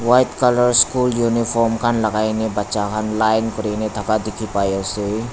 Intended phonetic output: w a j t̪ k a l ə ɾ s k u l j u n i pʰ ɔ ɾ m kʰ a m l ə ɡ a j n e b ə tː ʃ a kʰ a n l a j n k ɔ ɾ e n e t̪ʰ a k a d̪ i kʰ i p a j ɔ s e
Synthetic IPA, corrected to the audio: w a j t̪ k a l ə ɾ s k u l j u n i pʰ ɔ ɾ m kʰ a n l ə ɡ a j n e b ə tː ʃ a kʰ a n l a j n k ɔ ɾ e n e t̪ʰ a k a d̪ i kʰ i p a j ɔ s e